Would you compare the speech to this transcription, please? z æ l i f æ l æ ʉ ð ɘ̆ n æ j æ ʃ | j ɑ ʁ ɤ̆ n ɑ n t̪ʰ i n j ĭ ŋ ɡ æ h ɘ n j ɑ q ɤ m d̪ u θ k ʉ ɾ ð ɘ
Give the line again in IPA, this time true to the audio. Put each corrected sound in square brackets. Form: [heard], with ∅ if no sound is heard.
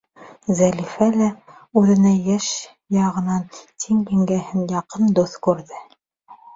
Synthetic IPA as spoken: z æ l i f æ l æ ʉ ð ɘ̆ n æ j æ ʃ | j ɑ ʁ ɤ̆ n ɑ n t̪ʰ i [ŋ] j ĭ ŋ ɡ æ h ɘ n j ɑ q ɤ [n] d̪ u θ k ʉ ɾ ð ɘ